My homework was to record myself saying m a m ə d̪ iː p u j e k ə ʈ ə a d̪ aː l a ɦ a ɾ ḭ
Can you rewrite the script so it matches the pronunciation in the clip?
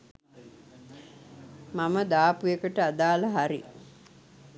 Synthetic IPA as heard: m a m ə d̪ aː p u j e k ə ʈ ə a d̪ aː l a ɦ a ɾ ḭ

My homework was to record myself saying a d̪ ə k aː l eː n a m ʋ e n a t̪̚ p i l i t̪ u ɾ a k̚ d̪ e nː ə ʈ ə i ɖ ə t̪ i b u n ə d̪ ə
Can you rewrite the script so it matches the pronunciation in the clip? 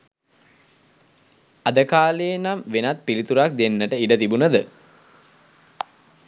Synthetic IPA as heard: a d̪ ə k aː l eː n a m ʋ e n a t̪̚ p i l i t̪ u ɾ a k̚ d̪ e nː ə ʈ ə i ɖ ə t̪ i b u n ə d̪ ə

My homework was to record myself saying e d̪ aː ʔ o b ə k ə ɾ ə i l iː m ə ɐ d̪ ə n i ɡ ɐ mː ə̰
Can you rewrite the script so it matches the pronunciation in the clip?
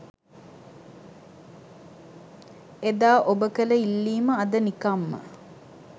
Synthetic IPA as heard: e d̪ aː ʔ o b ə k ə l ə i lː iː m ə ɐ d̪ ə n i k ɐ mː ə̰

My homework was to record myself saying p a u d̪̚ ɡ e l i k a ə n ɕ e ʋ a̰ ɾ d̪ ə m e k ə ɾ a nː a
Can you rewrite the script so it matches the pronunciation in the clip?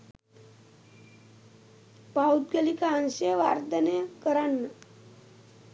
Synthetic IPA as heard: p a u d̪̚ ɡ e l i k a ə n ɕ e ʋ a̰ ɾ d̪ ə n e k ə ɾ a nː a

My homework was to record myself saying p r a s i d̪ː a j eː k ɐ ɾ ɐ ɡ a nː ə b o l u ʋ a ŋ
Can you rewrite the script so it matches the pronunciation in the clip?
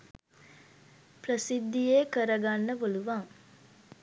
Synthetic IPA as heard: p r ə s i d̪ː i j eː k ə ɾ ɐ ɡ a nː ə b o l u ʋ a ŋ

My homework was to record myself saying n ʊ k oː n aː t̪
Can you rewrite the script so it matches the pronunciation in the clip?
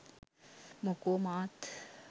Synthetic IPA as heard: m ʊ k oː m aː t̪

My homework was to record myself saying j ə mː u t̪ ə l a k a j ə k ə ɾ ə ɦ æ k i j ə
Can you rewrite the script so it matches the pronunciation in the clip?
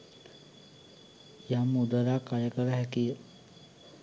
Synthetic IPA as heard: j a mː u d̪ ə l a k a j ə k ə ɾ ə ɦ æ k i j ə

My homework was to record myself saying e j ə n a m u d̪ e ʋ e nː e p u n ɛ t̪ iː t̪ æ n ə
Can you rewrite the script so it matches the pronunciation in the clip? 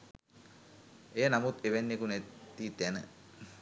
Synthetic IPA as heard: e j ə n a m u t̪ e ʋ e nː e k u n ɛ t̪ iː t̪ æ n ə

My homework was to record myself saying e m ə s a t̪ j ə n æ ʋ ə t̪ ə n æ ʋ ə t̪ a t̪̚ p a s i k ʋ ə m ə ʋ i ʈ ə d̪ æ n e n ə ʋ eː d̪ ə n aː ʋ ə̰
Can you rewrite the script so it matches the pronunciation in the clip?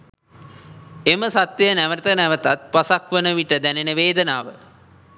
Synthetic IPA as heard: e m ə s a t̪ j ə n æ ʋ ə t̪ ə n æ ʋ ə t̪ a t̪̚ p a s a k ʋ ə n ə ʋ i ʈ ə d̪ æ n e n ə ʋ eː d̪ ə n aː ʋ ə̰

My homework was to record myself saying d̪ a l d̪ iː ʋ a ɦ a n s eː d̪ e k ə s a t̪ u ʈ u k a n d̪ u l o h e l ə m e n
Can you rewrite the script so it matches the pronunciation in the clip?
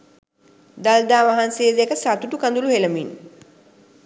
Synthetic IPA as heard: d̪ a l d̪ aː ʋ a ɦ a n s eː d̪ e k ə s a t̪ u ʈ u k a n d̪ u l u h e l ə m i n

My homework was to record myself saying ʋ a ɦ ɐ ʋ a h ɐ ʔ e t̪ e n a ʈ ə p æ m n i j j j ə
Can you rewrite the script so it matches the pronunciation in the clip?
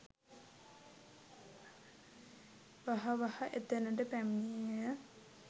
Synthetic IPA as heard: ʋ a ɦ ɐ ʋ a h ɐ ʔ e t̪ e n ə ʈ ə p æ m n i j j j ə

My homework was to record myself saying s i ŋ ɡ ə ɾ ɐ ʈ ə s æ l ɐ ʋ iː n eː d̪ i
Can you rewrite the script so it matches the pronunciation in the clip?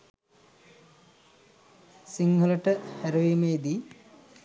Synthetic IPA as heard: s i ŋ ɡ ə l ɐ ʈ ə h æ ɾ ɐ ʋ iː m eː d̪ i

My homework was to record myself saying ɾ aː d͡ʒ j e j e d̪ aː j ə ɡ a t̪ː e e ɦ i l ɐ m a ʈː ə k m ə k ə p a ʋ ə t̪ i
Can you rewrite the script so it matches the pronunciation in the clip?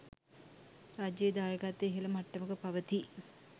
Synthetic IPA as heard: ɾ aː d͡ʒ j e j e d̪ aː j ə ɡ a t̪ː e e ɦ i l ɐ m a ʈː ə m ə k ə p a ʋ ə t̪ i

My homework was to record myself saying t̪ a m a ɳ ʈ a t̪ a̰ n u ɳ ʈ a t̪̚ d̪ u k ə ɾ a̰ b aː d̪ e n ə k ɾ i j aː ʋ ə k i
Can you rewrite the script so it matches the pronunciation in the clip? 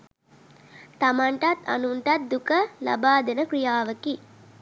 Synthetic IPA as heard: t̪ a m a ɳ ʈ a t̪ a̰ n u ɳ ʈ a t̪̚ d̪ u k ə l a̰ b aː d̪ e n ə k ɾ i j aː ʋ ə k i

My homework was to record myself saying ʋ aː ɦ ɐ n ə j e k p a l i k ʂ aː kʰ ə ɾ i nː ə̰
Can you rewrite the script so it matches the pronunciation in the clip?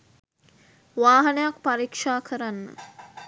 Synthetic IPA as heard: ʋ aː ɦ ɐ n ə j a k p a ɾ i k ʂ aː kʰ ə ɾ a nː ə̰

